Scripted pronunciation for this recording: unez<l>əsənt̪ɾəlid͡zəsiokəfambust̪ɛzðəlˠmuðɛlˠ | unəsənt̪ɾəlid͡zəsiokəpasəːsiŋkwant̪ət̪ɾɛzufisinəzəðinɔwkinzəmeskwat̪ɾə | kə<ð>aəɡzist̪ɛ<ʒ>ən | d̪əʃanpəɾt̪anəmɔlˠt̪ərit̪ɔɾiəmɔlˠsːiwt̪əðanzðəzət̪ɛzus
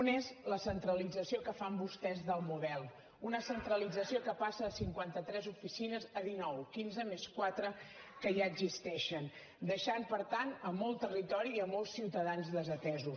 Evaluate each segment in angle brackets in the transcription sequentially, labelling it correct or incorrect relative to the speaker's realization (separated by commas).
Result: correct, incorrect, incorrect